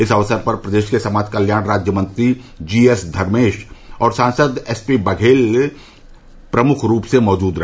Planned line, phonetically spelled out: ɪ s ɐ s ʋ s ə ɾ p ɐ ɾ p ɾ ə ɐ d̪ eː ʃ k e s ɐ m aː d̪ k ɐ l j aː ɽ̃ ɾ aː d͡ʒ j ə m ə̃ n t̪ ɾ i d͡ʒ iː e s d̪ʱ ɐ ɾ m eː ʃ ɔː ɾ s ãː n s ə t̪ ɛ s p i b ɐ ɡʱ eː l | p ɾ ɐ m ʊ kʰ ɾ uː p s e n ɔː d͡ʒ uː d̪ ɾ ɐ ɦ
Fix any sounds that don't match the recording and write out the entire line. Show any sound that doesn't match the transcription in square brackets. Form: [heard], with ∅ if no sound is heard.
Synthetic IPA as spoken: ɪ s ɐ [∅] ʋ s ə ɾ p ɐ ɾ p ɾ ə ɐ d̪ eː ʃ k e s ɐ m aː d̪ k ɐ l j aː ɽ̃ ɾ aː d͡ʒ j ə m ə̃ n t̪ ɾ i d͡ʒ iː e s d̪ʱ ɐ ɾ m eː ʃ ɔː ɾ s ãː n s ə [d̪] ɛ s p i b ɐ ɡʱ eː l | p ɾ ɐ m ʊ kʰ ɾ uː p s e [m] ɔː d͡ʒ uː d̪ ɾ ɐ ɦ